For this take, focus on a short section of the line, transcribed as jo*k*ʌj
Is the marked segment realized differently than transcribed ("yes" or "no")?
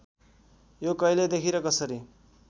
no